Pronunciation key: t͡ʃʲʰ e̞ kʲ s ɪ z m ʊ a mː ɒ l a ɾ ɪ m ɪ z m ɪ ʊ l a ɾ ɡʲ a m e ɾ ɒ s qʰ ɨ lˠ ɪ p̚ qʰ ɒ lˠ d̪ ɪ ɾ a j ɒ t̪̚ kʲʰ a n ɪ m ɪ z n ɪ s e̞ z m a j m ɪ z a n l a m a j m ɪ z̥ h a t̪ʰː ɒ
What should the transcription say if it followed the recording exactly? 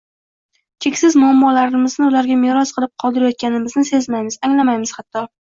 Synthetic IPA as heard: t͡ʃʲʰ e̞ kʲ s ɪ z m ʊ a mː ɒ l a ɾ ɪ m ɪ z n ɪ ʊ l a ɾ ɡʲ a m e ɾ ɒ s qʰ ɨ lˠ ɪ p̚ qʰ ɒ lˠ d̪ ɪ ɾ a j ɒ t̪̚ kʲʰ a n ɪ m ɪ z n ɪ s e̞ z m a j m ɪ z a ŋ l a m a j m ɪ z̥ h a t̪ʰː ɒ